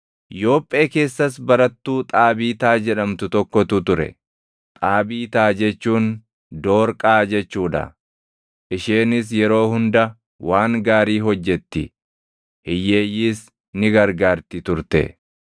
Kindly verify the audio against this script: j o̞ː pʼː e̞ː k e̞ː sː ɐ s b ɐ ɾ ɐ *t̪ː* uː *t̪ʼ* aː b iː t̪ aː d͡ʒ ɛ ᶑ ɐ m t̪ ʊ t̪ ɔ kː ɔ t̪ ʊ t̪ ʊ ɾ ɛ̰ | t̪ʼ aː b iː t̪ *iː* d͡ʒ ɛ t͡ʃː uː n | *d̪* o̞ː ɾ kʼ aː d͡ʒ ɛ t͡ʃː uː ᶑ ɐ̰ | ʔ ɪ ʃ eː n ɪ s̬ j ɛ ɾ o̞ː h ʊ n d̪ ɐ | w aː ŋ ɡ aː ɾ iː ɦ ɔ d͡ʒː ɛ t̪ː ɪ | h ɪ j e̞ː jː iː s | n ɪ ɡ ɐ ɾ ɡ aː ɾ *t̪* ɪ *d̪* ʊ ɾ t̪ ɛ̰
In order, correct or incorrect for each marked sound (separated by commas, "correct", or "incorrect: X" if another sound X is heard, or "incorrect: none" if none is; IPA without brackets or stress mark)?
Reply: correct, correct, incorrect: aː, correct, correct, incorrect: t̪